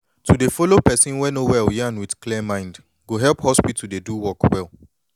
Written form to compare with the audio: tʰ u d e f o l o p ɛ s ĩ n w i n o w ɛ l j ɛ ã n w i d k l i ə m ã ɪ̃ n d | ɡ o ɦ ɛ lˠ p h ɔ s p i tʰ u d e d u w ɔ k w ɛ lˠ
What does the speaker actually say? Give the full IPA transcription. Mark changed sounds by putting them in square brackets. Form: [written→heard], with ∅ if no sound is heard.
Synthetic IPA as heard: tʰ u d e f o l o p ɛ s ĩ n w [i→ɛ] n o w ɛ l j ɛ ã n w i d k l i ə m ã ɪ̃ n d | ɡ o ɦ ɛ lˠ p h ɔ s p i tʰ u d e d u w ɔ k w ɛ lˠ